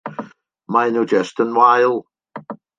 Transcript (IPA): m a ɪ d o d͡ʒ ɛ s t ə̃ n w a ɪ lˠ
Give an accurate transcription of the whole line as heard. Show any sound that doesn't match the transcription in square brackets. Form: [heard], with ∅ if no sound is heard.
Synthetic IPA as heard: m a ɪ [n] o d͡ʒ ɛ s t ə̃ n w a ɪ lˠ